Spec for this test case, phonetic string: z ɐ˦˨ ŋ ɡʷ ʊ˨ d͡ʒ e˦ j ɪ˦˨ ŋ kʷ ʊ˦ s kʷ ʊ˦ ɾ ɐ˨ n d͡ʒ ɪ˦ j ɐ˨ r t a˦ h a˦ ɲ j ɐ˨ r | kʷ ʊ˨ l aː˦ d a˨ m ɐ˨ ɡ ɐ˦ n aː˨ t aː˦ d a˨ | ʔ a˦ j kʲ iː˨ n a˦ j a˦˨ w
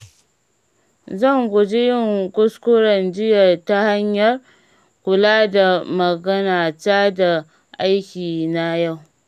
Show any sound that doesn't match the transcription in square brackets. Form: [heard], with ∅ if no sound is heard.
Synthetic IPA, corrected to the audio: z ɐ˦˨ ŋ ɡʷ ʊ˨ d͡ʒ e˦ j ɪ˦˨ ŋ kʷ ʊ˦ s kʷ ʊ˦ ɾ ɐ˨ n d͡ʒ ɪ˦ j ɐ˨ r t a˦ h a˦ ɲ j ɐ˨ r | kʷ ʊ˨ l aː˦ d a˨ m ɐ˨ ɡ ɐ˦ n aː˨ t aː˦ d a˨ | ʔ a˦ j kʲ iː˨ n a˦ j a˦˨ w